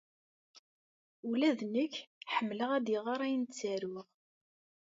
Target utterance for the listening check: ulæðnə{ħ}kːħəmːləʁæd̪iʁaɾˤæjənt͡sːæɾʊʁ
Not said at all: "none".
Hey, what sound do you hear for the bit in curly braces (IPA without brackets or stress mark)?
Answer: none